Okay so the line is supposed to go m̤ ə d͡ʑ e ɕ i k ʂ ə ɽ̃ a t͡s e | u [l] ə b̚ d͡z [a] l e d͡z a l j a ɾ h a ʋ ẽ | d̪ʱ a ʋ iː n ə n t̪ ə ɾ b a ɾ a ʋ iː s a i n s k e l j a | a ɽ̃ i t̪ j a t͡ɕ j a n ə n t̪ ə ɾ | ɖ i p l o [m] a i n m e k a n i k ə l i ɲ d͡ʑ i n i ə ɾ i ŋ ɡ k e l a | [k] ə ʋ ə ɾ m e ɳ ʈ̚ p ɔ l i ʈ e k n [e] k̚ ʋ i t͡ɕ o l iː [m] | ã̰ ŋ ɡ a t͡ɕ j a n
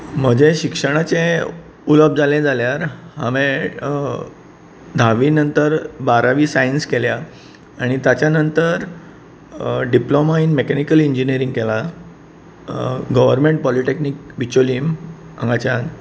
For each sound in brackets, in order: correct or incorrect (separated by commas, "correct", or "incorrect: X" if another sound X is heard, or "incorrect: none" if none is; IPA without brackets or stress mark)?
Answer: correct, correct, correct, incorrect: ɡ, incorrect: i, correct